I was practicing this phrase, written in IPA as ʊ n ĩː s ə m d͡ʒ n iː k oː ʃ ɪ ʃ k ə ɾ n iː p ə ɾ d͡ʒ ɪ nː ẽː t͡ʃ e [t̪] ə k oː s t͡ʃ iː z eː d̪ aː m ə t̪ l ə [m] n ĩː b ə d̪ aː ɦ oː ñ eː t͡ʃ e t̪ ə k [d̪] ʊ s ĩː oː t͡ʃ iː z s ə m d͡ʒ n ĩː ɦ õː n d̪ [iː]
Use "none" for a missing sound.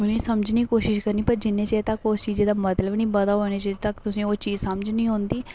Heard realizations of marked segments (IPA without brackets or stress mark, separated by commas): t̪, b, t̪, iː